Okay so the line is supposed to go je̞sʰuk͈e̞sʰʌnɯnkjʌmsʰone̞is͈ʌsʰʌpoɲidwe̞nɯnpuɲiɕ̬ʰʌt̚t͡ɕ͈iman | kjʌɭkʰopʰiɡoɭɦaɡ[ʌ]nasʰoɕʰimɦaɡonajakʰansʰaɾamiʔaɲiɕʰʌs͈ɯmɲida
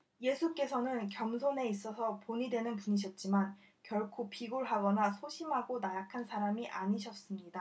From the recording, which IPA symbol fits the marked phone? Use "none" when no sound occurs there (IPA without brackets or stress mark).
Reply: ʌ